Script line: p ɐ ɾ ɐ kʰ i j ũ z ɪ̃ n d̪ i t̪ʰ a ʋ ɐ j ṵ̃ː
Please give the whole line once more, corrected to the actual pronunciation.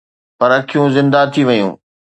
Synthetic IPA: p ɐ ɾ ɐ kʰ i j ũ z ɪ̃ n d̪ a t̪ʰ i ʋ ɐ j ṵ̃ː